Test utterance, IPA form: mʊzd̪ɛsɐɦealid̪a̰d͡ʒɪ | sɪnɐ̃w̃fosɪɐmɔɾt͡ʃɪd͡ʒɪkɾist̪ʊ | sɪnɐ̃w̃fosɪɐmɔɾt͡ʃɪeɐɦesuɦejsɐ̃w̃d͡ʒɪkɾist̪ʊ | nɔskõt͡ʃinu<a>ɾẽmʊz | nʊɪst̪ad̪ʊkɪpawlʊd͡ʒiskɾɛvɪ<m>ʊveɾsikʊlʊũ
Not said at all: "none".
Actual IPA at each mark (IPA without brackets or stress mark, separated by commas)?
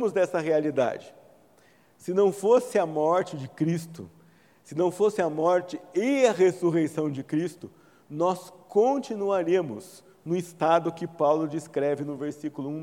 a, n